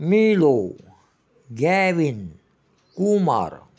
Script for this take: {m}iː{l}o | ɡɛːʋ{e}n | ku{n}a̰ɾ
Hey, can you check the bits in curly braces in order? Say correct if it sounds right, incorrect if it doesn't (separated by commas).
correct, correct, incorrect, incorrect